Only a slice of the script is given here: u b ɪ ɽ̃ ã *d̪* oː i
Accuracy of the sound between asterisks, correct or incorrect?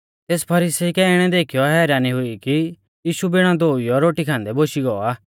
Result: correct